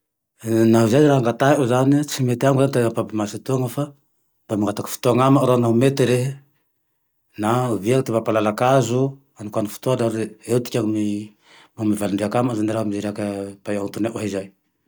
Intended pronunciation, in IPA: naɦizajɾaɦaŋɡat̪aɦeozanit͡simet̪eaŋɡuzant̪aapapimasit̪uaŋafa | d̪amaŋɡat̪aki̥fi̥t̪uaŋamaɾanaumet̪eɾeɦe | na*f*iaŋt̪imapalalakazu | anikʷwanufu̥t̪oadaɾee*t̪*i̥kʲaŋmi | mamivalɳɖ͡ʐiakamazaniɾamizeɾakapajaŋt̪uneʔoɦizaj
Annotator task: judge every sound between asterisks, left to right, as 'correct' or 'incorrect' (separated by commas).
incorrect, correct